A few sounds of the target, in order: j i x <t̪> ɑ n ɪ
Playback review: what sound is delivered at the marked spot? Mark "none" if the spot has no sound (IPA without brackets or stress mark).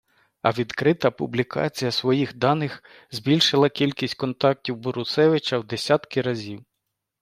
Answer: d̪